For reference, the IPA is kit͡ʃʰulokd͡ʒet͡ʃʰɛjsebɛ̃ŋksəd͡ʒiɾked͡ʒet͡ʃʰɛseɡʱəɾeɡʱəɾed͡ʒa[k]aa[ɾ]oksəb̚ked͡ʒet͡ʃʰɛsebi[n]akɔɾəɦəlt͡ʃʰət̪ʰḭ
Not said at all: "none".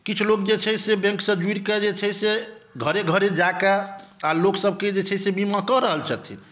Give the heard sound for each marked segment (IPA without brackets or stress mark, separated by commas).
k, l, m